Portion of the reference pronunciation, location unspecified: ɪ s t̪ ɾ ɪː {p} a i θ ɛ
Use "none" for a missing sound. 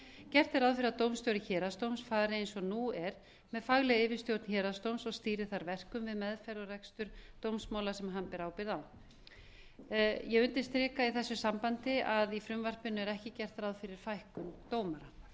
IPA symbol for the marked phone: k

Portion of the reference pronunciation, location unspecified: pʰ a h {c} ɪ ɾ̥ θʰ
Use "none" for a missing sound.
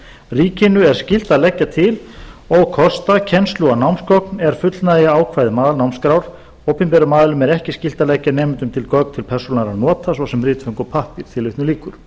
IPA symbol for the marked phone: p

